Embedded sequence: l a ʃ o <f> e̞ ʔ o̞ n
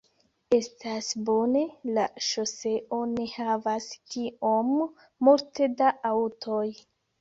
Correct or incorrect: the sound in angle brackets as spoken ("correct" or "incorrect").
incorrect